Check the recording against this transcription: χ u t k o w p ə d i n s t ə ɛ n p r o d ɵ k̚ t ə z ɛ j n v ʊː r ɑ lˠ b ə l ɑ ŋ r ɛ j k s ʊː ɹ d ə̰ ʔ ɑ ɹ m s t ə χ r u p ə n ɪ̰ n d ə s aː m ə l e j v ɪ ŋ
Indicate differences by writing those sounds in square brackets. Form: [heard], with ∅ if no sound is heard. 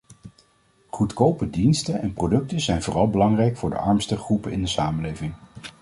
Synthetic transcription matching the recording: χ u t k o w p ə d i n s t ə ɛ n p r o d ɵ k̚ t ə z ɛ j n v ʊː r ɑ lˠ b ə l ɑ ŋ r ɛ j k [f] ʊː ɹ d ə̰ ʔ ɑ ɹ m s t ə χ r u p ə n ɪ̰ n d ə s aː m ə l e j v ɪ ŋ

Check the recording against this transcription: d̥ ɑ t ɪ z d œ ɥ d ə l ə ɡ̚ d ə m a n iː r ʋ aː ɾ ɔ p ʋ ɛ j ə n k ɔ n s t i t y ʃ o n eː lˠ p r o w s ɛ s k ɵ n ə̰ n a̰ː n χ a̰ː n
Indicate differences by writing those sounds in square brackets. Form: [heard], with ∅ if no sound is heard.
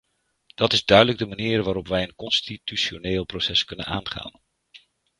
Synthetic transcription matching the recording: d̥ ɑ t ɪ z d œ ɥ d ə l ə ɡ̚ d ə m a n iː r ʋ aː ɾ ɔ p ʋ ɛ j ə n k ɔ n s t i t y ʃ o n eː lˠ p r o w s ɛ s k ɵ n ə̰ n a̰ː n χ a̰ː n

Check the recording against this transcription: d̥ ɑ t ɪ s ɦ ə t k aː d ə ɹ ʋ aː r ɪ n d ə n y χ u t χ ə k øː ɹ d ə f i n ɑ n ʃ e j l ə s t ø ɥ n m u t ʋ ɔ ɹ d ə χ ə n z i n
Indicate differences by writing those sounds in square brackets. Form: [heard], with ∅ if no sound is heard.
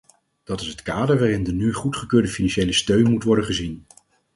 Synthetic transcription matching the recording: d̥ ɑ t ɪ s ɦ ə t k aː d ə ɹ ʋ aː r ɪ n d ə n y χ u t χ ə k øː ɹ d ə f i n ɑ n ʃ e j l ə s t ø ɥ n m u t ʋ ɔ ɹ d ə χ ə [∅] z i n

